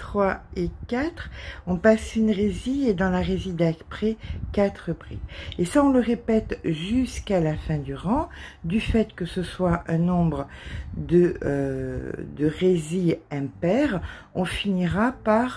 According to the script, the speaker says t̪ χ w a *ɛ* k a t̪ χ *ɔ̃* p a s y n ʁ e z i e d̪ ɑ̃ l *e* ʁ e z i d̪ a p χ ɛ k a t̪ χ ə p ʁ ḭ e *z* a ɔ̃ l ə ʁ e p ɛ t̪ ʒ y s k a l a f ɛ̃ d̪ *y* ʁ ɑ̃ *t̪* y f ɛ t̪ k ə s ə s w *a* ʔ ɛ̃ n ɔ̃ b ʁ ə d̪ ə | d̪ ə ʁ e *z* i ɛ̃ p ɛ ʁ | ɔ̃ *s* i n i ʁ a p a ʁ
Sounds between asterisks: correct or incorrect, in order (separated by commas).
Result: incorrect, correct, incorrect, incorrect, correct, incorrect, correct, correct, incorrect